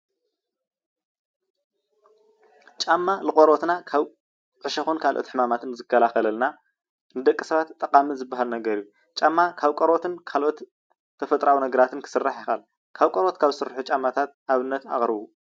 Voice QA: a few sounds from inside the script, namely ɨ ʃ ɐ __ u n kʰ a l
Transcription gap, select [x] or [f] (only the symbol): x